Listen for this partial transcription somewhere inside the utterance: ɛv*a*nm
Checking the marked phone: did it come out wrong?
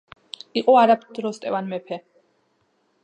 no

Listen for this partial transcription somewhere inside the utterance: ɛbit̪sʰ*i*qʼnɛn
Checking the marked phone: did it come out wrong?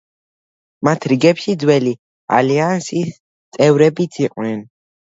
no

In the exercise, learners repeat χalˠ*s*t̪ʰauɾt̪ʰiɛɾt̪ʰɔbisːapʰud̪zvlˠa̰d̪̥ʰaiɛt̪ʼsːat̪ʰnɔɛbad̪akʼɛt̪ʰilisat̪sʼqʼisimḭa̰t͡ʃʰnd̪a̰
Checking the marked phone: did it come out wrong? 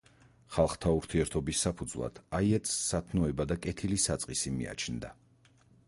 yes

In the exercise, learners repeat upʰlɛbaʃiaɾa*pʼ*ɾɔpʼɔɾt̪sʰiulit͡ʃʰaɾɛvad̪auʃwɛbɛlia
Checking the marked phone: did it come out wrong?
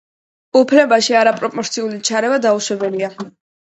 no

